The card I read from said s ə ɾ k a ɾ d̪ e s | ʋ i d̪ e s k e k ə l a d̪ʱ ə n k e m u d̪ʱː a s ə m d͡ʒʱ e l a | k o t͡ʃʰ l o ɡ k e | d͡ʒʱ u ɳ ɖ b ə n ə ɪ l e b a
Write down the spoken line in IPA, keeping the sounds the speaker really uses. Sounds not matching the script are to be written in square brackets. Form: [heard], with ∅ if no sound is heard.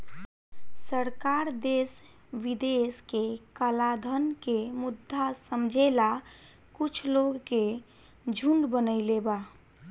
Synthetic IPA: s ə ɾ k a ɾ d̪ e s | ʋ i d̪ e s k e k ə l a d̪ʱ ə n k e m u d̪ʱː a s ə m d͡ʒʱ e l a | k [u] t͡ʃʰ l o ɡ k e | d͡ʒʱ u ɳ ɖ b ə n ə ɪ l e b a